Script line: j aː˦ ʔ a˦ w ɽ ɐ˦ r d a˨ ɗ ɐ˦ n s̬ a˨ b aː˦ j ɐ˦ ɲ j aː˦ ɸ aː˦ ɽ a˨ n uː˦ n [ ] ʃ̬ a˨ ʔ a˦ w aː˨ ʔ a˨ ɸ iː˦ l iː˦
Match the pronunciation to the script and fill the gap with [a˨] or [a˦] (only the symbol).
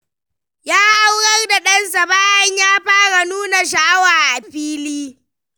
a˨